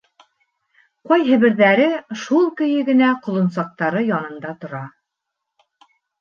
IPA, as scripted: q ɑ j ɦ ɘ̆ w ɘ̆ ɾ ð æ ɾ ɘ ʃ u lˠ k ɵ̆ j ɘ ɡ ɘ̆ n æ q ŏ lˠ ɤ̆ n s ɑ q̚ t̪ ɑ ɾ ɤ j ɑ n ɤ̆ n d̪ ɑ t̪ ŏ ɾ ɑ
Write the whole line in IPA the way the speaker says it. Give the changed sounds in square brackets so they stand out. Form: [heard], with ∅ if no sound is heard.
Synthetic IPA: q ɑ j ɦ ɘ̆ [β] ɘ̆ ɾ ð æ ɾ ɘ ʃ u lˠ k ɵ̆ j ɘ ɡ ɘ̆ n æ q ŏ lˠ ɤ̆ n s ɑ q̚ t̪ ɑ ɾ ɤ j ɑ n ɤ̆ n d̪ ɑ t̪ ŏ ɾ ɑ